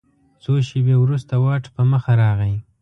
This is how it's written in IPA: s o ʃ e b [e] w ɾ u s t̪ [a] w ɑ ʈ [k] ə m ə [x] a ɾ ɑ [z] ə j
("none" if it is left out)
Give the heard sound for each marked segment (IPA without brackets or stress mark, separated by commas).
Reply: e, a, p, x, ɣ